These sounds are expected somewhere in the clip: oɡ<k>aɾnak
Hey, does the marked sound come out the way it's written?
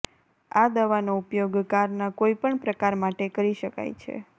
yes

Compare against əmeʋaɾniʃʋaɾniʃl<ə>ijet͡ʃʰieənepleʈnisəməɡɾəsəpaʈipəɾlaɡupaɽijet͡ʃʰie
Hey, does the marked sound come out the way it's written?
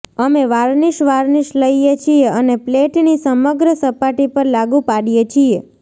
yes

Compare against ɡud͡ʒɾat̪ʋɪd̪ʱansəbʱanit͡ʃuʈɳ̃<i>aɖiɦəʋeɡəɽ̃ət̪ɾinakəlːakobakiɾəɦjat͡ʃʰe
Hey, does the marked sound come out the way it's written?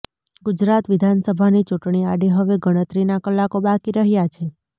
yes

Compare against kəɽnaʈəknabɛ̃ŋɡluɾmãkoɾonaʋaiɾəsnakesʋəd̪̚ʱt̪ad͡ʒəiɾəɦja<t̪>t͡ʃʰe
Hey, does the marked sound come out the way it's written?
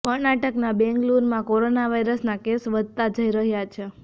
no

